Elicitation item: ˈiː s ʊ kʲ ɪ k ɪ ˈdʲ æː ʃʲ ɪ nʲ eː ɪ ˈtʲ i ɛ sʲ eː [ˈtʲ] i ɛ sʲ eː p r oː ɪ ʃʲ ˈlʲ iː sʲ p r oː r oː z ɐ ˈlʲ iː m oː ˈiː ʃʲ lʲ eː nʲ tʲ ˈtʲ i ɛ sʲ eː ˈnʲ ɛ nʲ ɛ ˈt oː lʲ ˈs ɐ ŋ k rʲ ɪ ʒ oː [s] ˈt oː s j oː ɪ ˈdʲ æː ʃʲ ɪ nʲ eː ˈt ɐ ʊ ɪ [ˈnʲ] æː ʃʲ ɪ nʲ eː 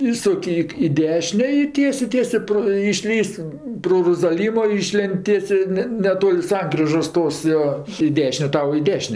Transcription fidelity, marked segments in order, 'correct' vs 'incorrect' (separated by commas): correct, correct, incorrect